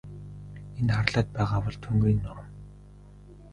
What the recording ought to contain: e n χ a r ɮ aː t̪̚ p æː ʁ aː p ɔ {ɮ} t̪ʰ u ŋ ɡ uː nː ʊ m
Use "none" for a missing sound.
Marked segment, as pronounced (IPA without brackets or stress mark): ɮ